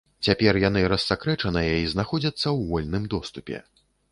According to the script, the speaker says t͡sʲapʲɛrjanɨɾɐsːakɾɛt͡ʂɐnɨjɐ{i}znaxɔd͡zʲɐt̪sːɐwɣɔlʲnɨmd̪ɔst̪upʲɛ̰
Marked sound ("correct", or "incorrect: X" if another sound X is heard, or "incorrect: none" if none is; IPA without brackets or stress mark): correct